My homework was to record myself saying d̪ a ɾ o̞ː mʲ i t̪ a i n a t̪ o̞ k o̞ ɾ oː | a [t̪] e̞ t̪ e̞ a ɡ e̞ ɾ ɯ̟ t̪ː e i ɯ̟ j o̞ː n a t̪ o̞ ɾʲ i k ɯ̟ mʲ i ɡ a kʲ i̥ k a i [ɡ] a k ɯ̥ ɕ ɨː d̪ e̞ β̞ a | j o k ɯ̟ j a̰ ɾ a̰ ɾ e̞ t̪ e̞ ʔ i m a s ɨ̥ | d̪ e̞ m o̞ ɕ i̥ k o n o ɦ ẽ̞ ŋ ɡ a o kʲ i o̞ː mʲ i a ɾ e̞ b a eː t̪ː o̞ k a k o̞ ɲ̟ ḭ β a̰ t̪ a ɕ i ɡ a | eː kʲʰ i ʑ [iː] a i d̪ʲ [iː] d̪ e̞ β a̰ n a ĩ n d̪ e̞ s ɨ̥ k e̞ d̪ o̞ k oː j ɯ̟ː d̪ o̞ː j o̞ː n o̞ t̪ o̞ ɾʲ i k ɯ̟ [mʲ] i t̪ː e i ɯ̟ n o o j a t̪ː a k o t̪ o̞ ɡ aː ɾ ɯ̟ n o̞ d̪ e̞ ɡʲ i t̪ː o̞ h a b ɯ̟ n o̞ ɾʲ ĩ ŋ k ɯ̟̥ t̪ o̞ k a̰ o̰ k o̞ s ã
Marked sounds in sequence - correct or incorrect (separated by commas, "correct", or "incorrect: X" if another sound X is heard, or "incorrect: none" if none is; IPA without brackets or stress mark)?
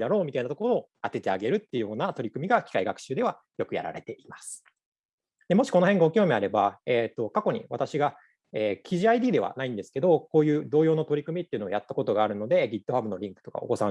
correct, correct, incorrect: i, correct, correct